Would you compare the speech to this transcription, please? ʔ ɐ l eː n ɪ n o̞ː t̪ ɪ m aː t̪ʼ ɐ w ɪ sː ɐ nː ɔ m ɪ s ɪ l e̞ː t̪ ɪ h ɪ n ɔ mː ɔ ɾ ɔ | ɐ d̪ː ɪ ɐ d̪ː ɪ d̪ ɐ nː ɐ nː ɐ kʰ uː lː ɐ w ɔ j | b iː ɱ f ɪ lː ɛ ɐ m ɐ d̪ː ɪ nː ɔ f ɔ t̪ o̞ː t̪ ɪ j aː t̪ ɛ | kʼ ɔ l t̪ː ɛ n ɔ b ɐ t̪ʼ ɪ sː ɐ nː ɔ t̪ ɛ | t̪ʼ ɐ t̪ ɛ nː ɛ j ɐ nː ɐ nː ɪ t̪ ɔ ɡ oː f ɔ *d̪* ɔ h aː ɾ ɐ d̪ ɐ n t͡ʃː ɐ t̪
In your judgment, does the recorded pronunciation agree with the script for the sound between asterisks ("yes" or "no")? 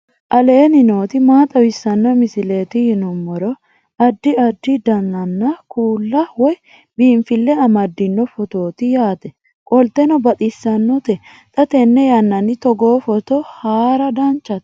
no